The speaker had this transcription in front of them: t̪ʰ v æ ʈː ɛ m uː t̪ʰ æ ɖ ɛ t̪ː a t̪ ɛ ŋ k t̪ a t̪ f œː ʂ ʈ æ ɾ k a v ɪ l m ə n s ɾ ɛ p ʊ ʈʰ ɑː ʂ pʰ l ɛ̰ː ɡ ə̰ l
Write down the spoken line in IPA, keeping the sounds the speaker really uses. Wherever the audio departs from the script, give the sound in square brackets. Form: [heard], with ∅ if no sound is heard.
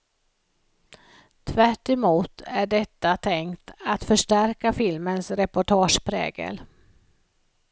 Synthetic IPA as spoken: t̪ʰ v æ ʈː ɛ m uː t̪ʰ æ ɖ ɛ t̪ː a [t̪ʰ] ɛ ŋ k t̪ a t̪ f [œ] ʂ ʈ æ ɾ k a [f] ɪ l m ə n s ɾ ɛ p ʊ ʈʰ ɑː ʂ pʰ [ɾ] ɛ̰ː ɡ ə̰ l